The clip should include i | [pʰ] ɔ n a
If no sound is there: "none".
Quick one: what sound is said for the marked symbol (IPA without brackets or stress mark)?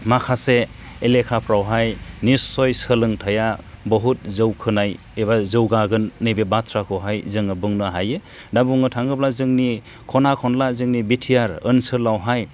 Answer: kʰ